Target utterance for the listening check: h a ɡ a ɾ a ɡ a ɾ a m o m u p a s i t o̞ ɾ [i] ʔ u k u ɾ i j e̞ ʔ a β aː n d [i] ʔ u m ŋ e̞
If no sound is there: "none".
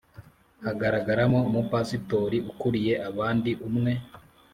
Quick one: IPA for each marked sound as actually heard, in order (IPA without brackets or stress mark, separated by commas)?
i, i